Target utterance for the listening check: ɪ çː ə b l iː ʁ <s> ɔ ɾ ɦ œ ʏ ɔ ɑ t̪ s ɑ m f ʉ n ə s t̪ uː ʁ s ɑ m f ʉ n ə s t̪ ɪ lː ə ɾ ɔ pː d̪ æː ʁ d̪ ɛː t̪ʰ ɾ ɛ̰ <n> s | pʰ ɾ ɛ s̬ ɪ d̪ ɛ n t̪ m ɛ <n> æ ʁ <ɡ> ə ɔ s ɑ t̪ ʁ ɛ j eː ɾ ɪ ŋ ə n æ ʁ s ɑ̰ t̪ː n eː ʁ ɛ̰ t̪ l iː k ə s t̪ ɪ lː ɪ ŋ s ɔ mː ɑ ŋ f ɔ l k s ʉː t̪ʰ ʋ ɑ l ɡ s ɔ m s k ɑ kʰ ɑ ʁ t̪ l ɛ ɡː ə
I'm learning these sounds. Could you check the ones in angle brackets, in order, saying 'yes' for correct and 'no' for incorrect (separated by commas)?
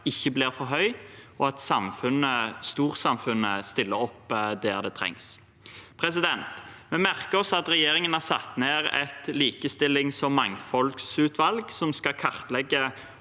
no, no, no, no